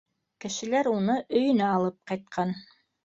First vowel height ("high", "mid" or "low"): mid